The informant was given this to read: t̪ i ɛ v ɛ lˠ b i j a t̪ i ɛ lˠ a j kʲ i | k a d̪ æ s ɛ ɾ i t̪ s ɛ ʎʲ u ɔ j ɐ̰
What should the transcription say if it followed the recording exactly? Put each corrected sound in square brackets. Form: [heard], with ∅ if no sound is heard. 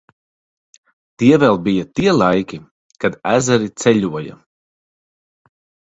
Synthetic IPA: t̪ i ɛ v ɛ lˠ b i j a t̪ i ɛ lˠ a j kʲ i | k a d̪ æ [z] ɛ ɾ i t̪ s ɛ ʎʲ u ɔ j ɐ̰